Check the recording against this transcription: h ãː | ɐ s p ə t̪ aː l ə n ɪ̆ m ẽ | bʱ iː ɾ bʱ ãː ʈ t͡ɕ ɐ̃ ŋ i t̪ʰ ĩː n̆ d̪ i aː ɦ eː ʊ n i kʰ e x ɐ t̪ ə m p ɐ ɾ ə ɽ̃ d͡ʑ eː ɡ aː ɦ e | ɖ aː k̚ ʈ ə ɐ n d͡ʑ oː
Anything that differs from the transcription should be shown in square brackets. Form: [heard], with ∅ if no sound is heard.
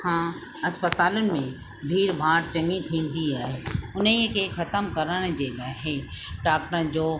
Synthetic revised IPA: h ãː | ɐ s p ə t̪ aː l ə n ɪ̆ m ẽ | bʱ iː ɾ bʱ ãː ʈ t͡ɕ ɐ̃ ŋ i t̪ʰ ĩː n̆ d̪ i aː ɦ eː ʊ n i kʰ e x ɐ t̪ ə m [k] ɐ ɾ ə ɽ̃ d͡ʑ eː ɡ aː ɦ e | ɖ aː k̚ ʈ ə [ə] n d͡ʑ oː